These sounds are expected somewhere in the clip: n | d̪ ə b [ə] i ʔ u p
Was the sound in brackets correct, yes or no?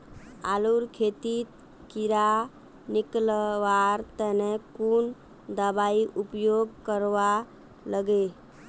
no